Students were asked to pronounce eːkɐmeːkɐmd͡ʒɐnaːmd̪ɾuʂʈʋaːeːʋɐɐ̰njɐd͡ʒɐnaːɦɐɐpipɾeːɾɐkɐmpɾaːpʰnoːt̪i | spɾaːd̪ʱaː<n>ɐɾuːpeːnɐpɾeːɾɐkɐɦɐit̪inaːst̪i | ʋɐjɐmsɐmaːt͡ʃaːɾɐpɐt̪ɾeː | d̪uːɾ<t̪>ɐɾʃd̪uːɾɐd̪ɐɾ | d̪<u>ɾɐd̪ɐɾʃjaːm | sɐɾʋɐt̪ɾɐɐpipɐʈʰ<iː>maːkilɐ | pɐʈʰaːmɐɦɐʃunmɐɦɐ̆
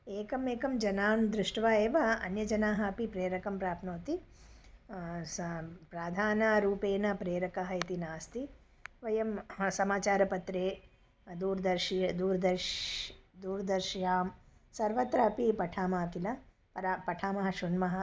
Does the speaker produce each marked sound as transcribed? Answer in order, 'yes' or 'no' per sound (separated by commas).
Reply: yes, no, no, no